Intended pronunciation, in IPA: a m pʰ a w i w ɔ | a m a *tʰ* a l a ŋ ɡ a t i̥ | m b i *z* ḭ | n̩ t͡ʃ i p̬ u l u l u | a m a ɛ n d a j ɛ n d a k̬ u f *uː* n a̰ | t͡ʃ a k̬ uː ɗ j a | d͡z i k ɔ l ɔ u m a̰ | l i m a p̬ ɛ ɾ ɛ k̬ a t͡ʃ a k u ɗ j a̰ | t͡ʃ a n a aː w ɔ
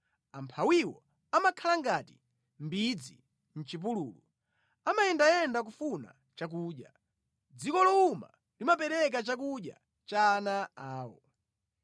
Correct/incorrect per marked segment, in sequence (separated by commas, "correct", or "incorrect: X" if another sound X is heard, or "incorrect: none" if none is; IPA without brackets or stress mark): incorrect: kʰ, incorrect: d͡z, incorrect: u